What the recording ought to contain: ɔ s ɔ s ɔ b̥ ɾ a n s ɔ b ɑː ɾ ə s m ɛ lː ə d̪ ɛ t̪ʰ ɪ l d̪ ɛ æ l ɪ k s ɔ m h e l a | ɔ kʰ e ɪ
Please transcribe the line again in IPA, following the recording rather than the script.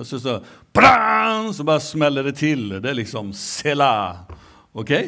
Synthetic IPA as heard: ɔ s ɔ s ɔ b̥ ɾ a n s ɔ b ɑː ɾ ə s m ɛ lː ə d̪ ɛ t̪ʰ ɪ l d̪ ɛ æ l ɪ k s ɔ m s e l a | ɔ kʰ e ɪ